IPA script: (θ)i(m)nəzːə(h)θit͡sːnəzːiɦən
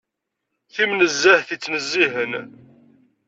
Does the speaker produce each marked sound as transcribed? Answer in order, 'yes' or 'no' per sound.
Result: yes, yes, yes

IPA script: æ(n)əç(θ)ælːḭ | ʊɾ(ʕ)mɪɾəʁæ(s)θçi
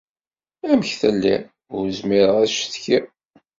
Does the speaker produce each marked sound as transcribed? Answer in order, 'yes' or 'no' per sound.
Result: no, yes, no, no

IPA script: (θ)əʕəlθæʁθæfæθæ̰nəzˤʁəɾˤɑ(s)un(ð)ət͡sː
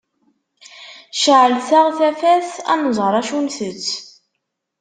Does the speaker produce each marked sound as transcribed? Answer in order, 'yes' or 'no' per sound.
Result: no, no, no

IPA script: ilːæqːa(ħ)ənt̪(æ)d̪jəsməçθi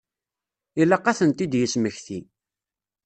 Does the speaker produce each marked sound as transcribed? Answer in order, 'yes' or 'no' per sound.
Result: no, no

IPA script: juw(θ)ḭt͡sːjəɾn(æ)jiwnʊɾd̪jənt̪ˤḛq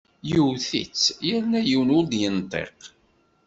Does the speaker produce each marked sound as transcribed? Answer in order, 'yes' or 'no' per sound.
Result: yes, yes

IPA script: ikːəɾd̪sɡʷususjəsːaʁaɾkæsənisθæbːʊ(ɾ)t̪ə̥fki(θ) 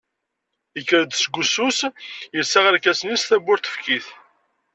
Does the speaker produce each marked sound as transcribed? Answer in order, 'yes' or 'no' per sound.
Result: yes, yes

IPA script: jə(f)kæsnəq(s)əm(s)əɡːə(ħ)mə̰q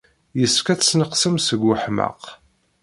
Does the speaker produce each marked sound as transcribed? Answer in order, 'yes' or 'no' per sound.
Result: no, yes, yes, yes

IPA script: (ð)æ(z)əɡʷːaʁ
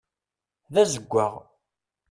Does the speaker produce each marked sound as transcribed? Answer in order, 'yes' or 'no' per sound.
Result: yes, yes

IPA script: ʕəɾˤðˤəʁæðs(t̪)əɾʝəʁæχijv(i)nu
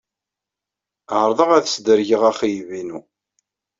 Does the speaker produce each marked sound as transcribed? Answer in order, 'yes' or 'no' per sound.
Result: no, yes

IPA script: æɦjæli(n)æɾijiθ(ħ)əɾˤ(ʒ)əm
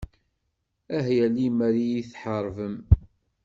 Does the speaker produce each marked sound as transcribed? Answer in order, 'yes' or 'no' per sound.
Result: no, yes, no

